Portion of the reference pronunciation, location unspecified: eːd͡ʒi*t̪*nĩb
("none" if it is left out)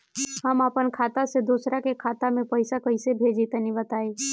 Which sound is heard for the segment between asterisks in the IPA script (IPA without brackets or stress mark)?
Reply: t̪